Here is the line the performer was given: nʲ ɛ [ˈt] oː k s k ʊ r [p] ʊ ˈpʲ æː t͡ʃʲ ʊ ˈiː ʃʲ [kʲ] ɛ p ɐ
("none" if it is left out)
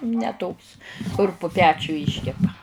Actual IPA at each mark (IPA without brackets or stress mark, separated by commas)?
t, p, kʲ